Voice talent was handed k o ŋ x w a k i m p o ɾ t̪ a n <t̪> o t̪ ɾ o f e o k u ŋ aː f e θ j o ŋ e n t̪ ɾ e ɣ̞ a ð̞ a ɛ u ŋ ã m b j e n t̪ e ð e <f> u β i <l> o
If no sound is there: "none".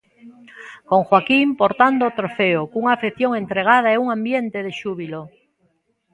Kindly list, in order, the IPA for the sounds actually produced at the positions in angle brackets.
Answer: d̪, ʃ, l

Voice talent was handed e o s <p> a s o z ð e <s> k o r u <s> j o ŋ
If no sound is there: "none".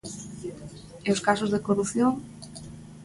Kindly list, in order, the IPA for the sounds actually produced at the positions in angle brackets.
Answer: k, none, θ

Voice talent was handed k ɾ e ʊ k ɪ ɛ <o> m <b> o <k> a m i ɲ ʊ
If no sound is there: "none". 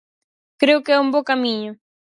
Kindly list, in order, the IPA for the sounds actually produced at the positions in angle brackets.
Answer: u, b, k

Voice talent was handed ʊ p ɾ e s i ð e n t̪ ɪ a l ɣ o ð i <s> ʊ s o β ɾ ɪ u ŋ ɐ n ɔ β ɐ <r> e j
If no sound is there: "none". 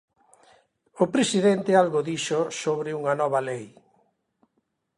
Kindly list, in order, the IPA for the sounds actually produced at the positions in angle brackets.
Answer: ʃ, l

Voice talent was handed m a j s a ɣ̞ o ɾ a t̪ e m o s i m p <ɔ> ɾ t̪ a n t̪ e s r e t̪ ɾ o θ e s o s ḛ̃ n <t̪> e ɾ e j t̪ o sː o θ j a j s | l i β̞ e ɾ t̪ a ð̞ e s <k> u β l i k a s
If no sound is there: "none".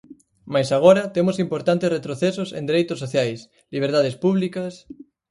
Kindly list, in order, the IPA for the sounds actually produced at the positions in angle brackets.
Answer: o, d̪, p

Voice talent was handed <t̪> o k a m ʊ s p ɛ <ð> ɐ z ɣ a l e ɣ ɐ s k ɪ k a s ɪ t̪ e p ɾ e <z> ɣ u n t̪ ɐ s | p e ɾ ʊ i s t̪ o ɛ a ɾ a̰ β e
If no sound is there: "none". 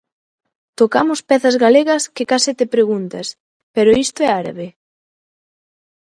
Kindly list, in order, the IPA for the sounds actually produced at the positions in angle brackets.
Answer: t̪, θ, none

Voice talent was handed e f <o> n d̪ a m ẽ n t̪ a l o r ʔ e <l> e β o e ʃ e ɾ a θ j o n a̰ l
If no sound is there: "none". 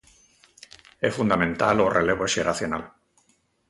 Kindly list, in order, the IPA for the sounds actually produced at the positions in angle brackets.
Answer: u, l

